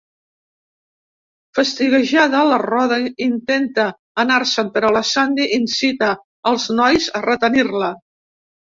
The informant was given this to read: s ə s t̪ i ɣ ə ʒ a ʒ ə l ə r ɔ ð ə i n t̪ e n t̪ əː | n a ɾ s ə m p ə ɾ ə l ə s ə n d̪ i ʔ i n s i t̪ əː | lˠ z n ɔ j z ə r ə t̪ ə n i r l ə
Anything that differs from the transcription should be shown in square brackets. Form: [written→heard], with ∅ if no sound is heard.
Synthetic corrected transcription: [s→f] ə s t̪ i ɣ ə ʒ a [ʒ→ð] ə l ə r ɔ ð ə i n t̪ e n t̪ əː | n a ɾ s ə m p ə ɾ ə l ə s [ə→a] n d̪ i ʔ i n s i t̪ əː | lˠ z n ɔ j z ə r ə t̪ ə n i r l ə

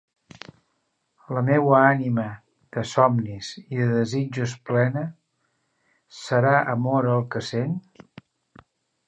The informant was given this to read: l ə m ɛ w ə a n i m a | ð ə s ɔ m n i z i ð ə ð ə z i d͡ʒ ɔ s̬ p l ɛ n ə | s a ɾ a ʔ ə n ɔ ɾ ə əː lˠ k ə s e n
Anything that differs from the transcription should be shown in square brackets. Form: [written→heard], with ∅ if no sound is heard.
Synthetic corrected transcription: l ə m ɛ w ə a n i m [a→ə] | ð ə s ɔ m n i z i ð ə ð ə z i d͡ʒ [ɔ→u] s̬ p l ɛ n ə | s [a→ə] ɾ a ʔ ə [n→m] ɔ ɾ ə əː lˠ k ə s e n

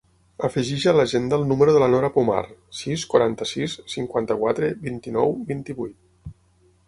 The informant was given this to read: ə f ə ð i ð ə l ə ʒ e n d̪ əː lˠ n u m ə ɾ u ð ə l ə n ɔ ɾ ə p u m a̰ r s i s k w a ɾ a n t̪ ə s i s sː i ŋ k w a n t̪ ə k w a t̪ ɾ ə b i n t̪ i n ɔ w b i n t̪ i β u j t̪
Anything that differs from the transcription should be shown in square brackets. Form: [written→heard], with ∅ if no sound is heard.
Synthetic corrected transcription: ə f ə [ð→ʒ] i [ð→ʒ] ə l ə ʒ e n d̪ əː lˠ n u m ə ɾ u ð ə l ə n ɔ ɾ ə p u m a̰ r s i s k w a ɾ a n t̪ ə s i s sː i ŋ k w a n t̪ ə k w a t̪ ɾ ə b i n t̪ i n ɔ w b i n t̪ i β u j t̪

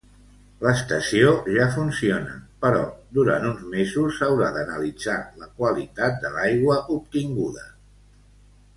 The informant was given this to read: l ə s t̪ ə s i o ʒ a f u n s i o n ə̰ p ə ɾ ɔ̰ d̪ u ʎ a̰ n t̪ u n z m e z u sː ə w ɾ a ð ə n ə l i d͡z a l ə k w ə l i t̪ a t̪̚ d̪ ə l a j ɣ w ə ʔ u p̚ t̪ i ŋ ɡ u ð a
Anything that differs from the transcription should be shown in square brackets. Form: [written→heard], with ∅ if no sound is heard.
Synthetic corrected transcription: l ə s t̪ ə s i o ʒ a f u n s i o n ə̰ p ə ɾ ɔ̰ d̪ u [ʎ→ɾ] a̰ n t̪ u n z m e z u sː ə w ɾ a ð ə n ə l i d͡z a l ə k w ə l i t̪ a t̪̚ d̪ ə l a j ɣ w ə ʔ u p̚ t̪ i ŋ ɡ u ð [a→ə]

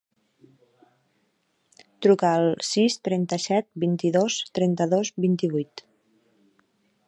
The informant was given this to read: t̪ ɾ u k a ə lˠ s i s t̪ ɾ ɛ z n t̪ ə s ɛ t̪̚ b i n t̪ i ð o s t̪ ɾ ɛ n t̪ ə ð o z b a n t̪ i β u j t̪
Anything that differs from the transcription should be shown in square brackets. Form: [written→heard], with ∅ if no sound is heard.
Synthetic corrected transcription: t̪ ɾ u k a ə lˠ s i s t̪ ɾ ɛ [z→∅] n t̪ ə s ɛ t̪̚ b i n t̪ i ð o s t̪ ɾ ɛ n t̪ ə ð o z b [a→i] n t̪ i β u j t̪

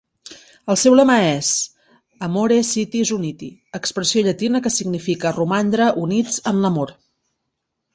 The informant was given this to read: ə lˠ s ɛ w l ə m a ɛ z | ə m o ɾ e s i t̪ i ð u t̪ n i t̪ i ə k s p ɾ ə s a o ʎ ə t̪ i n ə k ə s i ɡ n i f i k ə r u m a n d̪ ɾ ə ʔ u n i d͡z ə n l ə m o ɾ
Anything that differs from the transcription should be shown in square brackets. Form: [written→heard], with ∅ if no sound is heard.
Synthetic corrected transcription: ə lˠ s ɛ w l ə m a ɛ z | ə m o ɾ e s i t̪ i [ð→z] u [t̪→∅] n i t̪ i ə k s p ɾ ə s [a→i] o ʎ ə t̪ i n ə k ə s i ɡ n i f i k ə r u m a n d̪ ɾ ə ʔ u n i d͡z ə n l ə m o ɾ

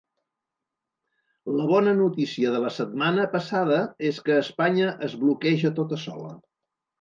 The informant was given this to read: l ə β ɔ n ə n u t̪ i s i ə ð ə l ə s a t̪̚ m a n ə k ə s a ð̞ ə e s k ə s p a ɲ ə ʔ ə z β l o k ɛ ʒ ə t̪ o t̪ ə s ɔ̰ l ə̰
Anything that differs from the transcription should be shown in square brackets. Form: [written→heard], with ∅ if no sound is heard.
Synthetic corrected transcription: l ə β ɔ n ə n u t̪ i s i ə ð ə l ə s [a→ə] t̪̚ m a n ə [k→p] ə s a ð̞ ə e s k [ə→əː] s p a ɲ ə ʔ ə z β l [o→u] k ɛ ʒ ə t̪ o t̪ ə s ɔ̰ l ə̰

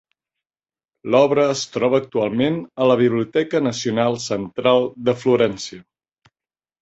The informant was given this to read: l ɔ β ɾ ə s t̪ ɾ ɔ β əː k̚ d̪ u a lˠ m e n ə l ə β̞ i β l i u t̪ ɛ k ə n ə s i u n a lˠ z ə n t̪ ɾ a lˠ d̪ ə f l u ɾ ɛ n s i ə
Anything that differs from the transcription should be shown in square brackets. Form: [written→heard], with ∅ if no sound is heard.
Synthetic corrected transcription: l ɔ β ɾ [ə→əː] s t̪ ɾ ɔ β əː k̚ [d̪→t̪] u a lˠ m e n ə l ə β̞ i β l i u t̪ ɛ k ə n ə s i u n a lˠ [z→s] ə n t̪ ɾ a lˠ d̪ ə f l u ɾ ɛ n s i ə

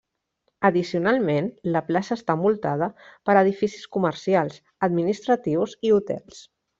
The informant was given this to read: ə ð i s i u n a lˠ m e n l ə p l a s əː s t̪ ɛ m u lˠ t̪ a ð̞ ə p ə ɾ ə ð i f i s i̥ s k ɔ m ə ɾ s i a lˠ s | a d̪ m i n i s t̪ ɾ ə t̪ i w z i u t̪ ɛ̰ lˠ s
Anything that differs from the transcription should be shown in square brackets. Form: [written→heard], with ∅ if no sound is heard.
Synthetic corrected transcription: ə ð i s i u n a lˠ m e n l ə p l a s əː s t̪ [ɛ→a] m u lˠ t̪ a ð̞ ə p ə ɾ ə ð i f i s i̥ s k [ɔ→u] m ə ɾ s i a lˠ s | [a→ə] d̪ m i n i s t̪ ɾ ə t̪ i w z i u t̪ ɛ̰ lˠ s

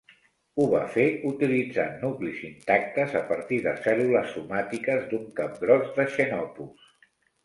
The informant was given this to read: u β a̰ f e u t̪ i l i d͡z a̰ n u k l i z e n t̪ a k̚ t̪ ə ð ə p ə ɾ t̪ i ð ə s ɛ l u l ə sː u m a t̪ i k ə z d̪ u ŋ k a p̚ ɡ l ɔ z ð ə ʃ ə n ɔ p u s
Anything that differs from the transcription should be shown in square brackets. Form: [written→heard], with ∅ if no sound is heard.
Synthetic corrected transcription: u β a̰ f e u t̪ i l i d͡z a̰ n u k l i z [e→i] n t̪ a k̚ t̪ ə [ð→z] ə p ə ɾ t̪ i ð ə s ɛ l u l ə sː u m a t̪ i k ə z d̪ u ŋ k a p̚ ɡ [l→ɾ] ɔ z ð ə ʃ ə n ɔ p u s

